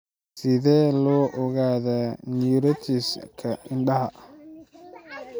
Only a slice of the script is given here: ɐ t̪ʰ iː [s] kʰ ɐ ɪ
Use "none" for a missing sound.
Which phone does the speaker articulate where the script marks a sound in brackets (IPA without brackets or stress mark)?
s